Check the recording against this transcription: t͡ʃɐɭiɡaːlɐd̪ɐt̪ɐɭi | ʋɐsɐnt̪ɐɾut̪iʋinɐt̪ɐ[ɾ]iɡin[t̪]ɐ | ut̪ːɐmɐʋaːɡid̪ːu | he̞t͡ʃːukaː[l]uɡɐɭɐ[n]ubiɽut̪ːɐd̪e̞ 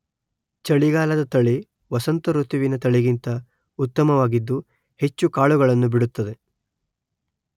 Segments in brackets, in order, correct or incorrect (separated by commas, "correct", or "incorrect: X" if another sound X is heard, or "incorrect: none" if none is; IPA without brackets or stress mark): incorrect: ɭ, correct, incorrect: ɭ, incorrect: nː